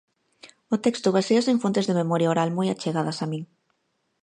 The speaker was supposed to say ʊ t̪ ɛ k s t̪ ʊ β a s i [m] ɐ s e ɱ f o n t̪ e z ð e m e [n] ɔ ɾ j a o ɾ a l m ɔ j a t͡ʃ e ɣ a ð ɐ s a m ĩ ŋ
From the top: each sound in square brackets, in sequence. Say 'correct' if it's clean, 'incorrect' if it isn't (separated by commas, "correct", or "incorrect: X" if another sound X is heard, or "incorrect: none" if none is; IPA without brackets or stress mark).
incorrect: none, incorrect: m